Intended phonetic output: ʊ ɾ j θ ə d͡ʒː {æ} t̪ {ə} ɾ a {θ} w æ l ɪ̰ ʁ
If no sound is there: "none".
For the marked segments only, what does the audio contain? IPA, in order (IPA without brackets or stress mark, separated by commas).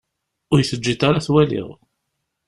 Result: i, a, θ